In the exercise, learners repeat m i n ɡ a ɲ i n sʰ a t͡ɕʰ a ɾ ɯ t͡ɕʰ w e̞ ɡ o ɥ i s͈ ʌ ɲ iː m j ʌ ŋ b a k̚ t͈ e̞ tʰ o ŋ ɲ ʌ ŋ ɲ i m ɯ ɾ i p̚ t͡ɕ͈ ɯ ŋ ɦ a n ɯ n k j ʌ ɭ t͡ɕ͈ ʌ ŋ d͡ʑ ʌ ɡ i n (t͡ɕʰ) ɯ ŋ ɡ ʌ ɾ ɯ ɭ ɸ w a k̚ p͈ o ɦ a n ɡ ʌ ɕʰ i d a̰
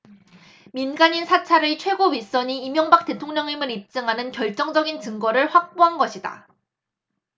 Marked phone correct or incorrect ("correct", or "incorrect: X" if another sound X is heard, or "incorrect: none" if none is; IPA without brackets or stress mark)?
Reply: incorrect: t͡ɕ